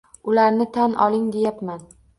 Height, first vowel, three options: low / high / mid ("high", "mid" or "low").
high